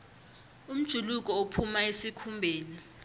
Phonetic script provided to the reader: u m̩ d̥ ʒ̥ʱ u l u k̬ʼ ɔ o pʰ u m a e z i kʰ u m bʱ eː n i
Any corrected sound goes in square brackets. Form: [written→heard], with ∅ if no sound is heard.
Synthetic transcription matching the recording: u m̩ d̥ ʒ̥ʱ u l u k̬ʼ ɔ o pʰ u m a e [z→s] i kʰ u m bʱ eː n i